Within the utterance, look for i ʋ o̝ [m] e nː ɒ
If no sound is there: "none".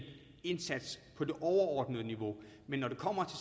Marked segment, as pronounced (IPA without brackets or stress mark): m